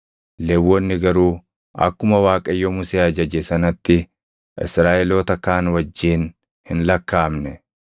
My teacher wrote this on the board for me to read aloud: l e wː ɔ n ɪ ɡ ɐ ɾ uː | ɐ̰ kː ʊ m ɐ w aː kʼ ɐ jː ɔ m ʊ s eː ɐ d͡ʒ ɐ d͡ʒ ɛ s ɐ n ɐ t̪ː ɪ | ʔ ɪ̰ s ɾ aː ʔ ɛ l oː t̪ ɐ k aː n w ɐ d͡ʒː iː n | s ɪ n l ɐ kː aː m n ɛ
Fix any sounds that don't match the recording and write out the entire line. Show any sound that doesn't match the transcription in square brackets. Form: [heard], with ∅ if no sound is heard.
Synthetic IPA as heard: l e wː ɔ [nː] ɪ ɡ ɐ ɾ uː | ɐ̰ kː ʊ m ɐ w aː kʼ ɐ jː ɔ m ʊ s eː ɐ d͡ʒ ɐ d͡ʒ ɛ s ɐ n ɐ t̪ː ɪ | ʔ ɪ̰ s ɾ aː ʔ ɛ l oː t̪ ɐ k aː n w ɐ d͡ʒː iː n | [h] ɪ n l ɐ kː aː m n ɛ